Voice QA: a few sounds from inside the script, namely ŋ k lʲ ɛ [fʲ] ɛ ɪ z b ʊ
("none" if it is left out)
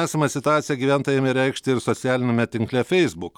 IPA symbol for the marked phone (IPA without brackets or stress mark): fʲ